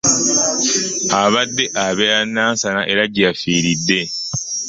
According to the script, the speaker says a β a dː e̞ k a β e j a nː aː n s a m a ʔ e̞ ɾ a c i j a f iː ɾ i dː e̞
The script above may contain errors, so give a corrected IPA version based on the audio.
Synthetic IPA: a β a dː e̞ ʔ a β e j a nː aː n s a n a ʔ e̞ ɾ a ɟ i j a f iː ɾ i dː e̞